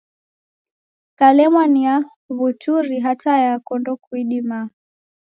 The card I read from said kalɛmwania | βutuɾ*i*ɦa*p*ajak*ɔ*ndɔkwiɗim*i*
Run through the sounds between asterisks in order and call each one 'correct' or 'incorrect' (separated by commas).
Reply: correct, incorrect, correct, incorrect